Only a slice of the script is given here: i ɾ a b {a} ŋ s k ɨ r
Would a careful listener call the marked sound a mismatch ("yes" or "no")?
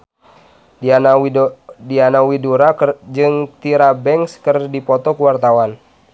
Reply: yes